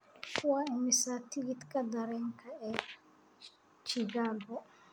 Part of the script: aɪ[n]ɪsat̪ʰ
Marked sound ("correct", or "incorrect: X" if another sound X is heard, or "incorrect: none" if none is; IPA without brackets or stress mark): incorrect: m